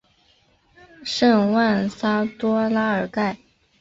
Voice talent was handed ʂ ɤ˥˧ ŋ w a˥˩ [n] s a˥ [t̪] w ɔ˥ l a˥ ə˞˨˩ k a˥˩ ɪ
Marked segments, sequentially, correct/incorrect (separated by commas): correct, correct